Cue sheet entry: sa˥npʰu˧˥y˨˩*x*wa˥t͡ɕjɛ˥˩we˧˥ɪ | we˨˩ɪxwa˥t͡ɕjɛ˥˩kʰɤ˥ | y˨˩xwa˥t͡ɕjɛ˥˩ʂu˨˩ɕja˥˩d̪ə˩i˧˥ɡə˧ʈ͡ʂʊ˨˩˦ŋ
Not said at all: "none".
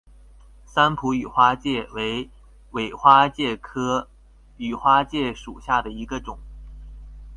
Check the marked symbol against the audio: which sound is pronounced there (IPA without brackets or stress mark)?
x